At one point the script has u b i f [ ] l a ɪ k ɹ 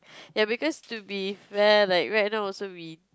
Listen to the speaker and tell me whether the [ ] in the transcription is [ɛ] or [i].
ɛ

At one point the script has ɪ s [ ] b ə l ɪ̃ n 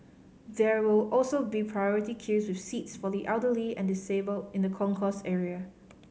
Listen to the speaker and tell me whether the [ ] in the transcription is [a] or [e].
e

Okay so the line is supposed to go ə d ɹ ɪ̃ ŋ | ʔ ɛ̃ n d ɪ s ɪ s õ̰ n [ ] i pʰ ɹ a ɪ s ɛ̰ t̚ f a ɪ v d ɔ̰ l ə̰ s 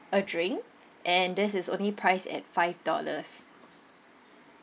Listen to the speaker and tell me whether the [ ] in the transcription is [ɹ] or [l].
l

